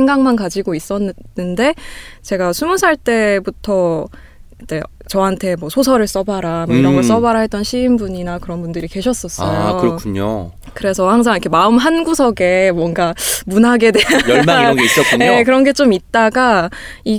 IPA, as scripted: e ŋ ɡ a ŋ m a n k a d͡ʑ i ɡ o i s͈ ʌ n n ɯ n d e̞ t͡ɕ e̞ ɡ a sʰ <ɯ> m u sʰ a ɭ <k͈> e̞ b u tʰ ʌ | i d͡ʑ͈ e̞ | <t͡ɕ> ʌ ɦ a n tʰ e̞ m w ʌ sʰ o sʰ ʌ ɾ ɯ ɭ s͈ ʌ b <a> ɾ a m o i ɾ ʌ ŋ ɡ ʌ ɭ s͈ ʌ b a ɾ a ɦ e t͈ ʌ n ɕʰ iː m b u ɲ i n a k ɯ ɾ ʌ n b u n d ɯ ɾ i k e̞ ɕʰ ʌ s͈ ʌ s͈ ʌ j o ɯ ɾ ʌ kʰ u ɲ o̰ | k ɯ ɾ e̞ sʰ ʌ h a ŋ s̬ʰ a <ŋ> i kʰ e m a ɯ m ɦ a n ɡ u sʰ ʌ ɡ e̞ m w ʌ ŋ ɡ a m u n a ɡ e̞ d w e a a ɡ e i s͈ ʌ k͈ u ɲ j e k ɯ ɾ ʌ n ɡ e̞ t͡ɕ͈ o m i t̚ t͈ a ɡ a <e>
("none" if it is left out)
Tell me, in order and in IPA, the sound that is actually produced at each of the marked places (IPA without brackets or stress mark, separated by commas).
u, t͈, t͡ɕ, a, ŋ, i